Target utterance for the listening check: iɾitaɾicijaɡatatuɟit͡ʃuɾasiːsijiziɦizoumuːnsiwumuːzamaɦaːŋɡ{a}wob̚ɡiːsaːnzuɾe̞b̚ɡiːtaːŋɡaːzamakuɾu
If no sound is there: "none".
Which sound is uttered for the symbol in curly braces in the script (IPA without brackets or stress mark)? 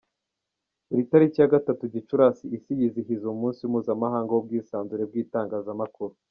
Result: a